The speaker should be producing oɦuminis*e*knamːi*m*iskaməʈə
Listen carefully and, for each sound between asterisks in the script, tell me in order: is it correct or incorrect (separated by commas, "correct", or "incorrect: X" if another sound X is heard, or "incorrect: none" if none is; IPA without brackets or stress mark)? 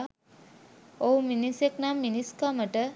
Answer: correct, incorrect: n